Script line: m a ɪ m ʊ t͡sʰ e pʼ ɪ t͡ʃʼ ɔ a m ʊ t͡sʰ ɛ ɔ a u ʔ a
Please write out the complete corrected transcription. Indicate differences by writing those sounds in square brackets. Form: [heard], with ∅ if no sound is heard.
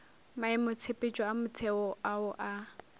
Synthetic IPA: m a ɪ m ʊ t͡sʰ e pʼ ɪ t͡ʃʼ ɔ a m ʊ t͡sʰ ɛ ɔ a [ʊ] ʔ a